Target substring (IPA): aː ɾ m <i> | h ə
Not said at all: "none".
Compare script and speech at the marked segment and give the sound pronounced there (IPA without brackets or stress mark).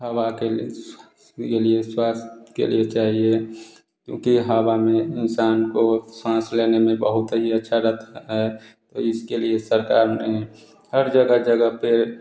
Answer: e